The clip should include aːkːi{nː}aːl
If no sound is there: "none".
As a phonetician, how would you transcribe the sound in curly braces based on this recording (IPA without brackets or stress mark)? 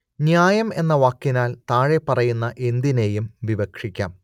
n